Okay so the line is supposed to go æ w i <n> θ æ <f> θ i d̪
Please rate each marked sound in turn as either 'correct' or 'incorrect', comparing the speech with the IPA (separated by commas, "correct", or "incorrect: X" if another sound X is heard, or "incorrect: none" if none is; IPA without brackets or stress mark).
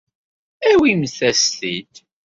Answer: incorrect: m, incorrect: s